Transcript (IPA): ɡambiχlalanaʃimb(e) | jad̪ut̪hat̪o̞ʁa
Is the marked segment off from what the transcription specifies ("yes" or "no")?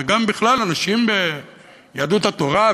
no